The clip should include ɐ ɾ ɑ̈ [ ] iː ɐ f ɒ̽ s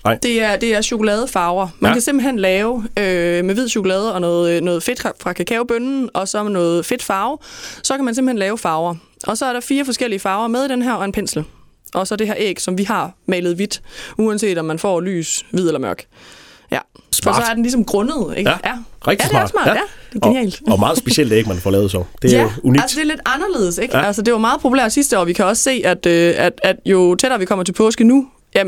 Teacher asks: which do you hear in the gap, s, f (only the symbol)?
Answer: f